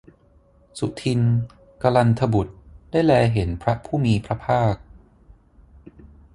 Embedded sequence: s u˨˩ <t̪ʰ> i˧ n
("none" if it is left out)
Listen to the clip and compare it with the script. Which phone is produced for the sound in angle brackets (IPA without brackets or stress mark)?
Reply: t̪ʰ